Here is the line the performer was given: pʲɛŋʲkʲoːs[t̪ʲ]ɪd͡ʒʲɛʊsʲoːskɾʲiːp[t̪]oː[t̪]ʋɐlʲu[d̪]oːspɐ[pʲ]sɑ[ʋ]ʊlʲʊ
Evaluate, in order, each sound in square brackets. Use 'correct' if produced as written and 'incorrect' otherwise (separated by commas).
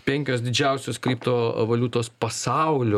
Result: incorrect, correct, incorrect, incorrect, incorrect, incorrect